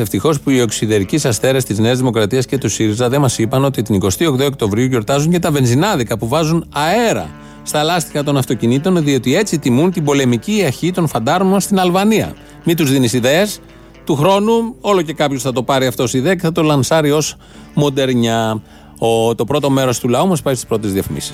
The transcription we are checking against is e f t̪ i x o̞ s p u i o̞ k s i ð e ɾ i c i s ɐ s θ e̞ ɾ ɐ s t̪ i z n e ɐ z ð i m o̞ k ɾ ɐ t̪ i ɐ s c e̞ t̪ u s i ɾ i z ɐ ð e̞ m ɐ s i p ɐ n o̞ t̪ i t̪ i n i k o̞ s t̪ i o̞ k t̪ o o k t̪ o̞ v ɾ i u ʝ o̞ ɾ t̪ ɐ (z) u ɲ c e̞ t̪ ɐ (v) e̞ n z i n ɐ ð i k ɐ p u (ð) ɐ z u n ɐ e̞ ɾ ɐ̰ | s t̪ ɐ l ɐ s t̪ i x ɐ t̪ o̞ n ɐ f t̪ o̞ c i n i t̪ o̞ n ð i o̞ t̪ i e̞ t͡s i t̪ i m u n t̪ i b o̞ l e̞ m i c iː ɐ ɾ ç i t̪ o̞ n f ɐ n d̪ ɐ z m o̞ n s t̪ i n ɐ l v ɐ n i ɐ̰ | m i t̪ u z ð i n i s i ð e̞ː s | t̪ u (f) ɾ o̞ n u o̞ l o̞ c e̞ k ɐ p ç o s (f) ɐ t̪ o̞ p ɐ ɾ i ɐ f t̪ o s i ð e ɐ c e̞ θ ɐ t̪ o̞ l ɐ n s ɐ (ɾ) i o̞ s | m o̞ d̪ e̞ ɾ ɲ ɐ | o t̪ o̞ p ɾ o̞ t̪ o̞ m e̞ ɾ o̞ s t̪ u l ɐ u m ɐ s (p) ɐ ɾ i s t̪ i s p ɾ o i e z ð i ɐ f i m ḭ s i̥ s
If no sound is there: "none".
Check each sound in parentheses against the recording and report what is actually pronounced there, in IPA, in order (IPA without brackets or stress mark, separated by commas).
z, v, v, x, θ, ɾ, p